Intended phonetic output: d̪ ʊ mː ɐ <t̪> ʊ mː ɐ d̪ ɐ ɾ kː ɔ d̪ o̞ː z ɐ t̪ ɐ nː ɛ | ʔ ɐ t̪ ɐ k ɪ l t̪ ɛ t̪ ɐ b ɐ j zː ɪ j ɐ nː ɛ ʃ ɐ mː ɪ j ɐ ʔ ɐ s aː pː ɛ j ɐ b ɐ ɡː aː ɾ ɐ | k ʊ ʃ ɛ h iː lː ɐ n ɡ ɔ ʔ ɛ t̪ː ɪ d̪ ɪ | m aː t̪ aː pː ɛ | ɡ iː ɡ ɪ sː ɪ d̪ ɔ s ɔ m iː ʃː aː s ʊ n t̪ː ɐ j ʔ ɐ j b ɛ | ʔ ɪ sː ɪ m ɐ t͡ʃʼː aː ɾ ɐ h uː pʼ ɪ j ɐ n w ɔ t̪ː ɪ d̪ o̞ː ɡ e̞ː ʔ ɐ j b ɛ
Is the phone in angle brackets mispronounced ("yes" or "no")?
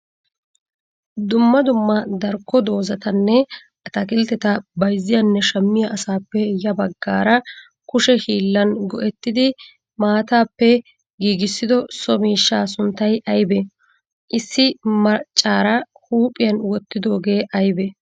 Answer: yes